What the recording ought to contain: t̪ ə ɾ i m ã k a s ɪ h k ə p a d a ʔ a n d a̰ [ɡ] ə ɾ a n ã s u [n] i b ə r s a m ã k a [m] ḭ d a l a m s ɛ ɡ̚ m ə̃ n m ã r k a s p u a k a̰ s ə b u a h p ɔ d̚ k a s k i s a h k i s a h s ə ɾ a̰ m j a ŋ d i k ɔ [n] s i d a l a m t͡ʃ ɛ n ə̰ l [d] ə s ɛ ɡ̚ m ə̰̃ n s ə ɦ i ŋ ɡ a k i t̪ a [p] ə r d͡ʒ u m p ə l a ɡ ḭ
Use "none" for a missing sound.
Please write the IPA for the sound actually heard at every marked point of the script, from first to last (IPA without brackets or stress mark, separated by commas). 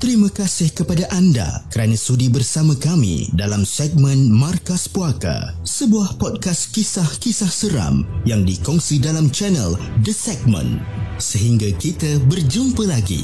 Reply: k, d, m, ŋ, d, b